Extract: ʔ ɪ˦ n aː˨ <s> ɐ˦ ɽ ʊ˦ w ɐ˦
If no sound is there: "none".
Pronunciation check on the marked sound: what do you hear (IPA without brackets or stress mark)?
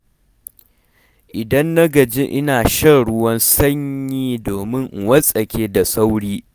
ʃ